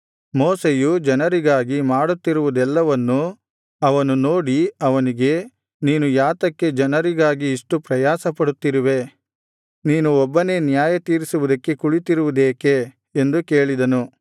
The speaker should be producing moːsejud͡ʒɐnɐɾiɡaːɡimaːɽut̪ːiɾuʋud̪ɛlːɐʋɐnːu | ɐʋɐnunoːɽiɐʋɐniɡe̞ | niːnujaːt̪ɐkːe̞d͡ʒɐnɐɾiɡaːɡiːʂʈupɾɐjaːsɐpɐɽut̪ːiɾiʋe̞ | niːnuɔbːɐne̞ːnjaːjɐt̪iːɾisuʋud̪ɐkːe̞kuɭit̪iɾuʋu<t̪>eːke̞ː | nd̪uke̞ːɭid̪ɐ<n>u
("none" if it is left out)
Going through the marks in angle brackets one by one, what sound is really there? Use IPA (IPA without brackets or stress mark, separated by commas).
d̪, n